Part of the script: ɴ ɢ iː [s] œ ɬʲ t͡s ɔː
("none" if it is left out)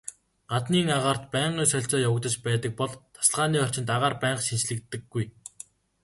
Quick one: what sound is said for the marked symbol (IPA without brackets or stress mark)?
s